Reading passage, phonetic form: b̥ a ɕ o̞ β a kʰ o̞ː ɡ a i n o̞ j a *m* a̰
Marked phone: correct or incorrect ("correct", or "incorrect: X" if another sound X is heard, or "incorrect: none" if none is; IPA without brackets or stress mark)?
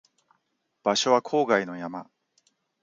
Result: correct